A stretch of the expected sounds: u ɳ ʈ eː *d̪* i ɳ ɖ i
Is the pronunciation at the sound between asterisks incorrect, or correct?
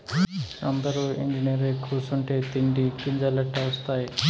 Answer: incorrect